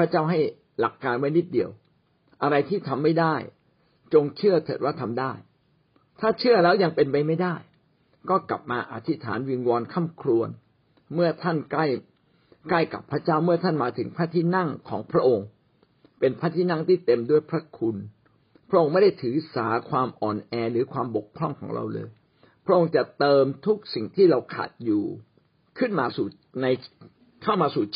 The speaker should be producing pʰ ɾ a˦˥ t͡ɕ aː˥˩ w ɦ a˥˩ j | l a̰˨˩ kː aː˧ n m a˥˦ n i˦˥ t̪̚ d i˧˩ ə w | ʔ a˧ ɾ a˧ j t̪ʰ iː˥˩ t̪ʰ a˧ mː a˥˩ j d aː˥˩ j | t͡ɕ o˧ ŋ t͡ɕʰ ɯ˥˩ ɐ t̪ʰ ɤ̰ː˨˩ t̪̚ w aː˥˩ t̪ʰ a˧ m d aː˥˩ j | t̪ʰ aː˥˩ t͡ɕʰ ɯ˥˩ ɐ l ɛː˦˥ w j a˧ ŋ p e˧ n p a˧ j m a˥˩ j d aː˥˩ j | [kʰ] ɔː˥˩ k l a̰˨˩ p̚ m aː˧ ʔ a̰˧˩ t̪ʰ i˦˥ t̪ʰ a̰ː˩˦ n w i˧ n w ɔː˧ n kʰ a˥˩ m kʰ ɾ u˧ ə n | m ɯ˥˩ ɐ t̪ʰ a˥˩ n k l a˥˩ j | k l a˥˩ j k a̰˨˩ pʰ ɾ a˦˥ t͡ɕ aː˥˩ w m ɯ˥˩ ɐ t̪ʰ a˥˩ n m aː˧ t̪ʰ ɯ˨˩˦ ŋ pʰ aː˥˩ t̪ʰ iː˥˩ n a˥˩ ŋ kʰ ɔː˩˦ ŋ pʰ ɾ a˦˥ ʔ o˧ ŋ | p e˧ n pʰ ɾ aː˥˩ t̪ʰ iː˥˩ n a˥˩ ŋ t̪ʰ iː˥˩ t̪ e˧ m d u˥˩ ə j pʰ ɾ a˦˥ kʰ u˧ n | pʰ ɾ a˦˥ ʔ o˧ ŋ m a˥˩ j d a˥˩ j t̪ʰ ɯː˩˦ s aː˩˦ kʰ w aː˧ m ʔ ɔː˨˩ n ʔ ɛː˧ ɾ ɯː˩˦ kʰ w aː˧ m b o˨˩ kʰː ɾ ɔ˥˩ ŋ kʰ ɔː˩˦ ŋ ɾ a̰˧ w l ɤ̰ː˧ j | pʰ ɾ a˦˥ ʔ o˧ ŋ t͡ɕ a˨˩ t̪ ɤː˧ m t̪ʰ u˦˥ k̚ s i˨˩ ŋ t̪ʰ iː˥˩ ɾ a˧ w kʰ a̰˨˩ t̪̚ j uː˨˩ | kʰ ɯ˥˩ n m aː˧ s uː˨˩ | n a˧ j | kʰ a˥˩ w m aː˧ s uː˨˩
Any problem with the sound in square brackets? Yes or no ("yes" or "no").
yes